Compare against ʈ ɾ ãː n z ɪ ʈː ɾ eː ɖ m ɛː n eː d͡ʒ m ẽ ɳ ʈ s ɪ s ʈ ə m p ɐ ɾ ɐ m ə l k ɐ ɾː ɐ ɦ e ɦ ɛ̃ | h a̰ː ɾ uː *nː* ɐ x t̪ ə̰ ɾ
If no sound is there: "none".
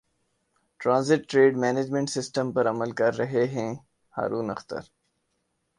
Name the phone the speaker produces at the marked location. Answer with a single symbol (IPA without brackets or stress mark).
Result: n